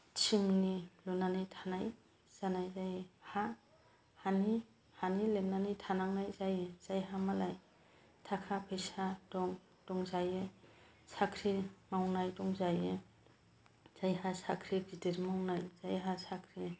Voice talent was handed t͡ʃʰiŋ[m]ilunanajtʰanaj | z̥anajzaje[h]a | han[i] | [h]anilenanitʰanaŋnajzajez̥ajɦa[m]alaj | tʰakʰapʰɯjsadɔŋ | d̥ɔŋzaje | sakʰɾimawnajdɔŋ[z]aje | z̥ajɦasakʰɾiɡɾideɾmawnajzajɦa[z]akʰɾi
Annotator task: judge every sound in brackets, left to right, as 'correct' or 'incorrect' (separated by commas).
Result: incorrect, correct, correct, correct, correct, correct, incorrect